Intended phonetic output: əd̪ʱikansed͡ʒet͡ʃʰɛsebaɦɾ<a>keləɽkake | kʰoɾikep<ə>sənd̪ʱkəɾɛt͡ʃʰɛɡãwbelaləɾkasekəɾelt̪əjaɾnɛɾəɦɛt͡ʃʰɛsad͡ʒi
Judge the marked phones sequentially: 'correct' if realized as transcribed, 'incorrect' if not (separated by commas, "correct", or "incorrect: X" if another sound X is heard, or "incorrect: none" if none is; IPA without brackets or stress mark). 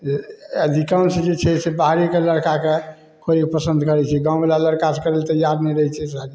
incorrect: i, correct